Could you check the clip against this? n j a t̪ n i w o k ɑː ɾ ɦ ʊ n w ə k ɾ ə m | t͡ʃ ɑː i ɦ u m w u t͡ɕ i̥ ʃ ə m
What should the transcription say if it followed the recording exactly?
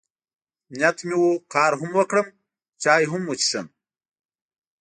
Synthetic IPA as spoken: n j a t̪ m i w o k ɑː ɾ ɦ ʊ m w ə k ɽ ə m | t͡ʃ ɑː j ɦ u m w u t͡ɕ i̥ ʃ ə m